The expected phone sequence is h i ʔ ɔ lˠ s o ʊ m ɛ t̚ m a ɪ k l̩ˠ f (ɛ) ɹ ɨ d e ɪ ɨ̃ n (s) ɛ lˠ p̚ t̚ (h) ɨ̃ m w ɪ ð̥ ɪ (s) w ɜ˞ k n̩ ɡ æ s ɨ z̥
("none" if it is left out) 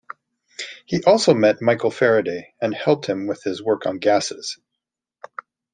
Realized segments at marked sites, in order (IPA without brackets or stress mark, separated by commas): ɛ, h, h, z